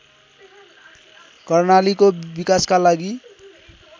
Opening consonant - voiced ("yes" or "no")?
no